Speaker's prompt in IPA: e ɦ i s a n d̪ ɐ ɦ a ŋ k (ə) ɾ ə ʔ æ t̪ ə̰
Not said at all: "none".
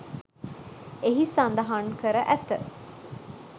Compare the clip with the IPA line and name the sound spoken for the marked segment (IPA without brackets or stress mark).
ə